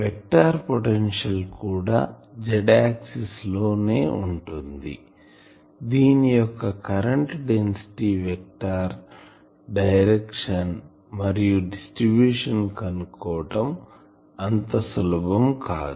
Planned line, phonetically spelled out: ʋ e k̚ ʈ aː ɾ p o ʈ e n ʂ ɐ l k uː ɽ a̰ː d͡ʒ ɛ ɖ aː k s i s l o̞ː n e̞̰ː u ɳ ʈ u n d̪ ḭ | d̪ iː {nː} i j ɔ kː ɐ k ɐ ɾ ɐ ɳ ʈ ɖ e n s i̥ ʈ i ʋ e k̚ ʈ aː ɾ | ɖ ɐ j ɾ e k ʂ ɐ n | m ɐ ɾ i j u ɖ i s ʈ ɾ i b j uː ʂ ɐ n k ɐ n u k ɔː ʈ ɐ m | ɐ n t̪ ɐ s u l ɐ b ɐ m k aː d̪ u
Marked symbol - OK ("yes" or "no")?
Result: no